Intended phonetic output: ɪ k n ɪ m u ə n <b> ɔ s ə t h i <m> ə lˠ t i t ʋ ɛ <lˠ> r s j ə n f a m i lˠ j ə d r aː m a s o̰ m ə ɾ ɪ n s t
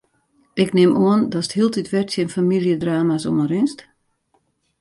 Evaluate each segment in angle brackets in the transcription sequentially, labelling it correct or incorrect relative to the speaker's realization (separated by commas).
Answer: incorrect, incorrect, incorrect